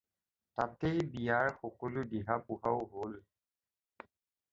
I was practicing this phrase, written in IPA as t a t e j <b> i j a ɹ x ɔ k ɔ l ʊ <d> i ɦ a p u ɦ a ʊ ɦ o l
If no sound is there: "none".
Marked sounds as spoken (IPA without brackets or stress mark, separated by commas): b, d